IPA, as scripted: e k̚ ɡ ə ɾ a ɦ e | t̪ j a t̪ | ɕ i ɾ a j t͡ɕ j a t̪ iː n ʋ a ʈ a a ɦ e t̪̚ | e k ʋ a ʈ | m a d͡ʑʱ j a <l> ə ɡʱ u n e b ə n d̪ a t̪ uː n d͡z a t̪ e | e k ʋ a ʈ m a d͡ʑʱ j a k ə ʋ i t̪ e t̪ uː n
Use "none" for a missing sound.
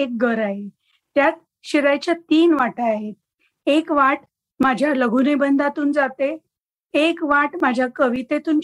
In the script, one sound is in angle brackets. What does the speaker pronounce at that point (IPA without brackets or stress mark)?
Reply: l